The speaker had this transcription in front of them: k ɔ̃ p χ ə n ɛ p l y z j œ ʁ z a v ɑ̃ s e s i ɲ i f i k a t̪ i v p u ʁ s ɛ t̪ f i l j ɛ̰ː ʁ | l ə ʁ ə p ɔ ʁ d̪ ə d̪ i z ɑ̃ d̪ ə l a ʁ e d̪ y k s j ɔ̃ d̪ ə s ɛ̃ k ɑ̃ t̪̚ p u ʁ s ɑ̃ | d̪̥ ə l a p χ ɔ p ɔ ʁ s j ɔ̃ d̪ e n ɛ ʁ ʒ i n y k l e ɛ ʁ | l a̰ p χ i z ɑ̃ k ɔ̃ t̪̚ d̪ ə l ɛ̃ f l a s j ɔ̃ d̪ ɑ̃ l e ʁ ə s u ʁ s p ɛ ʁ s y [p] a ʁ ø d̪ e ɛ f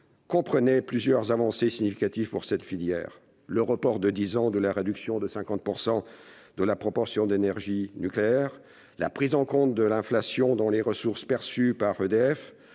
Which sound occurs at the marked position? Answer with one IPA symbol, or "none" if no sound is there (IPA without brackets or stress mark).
p